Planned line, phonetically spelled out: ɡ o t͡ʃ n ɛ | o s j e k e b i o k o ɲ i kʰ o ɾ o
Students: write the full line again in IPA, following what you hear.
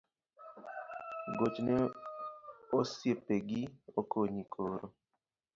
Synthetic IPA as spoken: ɡ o t͡ʃ n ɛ | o s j e p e ɡ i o k o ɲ i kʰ o ɾ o